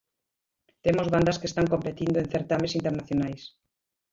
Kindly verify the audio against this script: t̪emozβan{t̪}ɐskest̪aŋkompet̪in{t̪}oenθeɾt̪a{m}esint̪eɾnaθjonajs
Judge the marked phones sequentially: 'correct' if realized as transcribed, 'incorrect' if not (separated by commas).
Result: incorrect, incorrect, correct